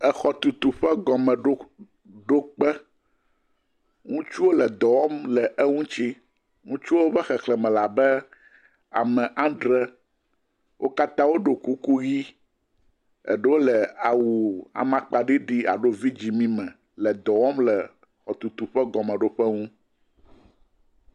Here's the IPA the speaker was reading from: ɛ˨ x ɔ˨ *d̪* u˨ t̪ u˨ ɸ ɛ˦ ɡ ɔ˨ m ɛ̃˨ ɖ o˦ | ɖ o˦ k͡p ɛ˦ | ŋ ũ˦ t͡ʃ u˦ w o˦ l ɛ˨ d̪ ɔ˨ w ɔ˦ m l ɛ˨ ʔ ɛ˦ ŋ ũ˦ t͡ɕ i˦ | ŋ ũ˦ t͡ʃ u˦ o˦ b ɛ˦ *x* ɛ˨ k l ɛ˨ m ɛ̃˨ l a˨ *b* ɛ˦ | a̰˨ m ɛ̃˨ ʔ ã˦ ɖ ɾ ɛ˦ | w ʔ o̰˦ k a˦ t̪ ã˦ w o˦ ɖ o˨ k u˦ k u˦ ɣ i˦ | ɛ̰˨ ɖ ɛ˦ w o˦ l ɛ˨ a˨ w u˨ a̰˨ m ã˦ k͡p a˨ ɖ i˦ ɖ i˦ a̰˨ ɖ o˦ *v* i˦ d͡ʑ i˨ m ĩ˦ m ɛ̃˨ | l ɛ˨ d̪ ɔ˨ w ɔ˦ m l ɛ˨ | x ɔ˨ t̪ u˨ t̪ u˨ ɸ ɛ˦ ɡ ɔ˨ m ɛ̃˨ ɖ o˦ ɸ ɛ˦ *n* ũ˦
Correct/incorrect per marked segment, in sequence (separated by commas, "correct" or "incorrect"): incorrect, correct, correct, correct, incorrect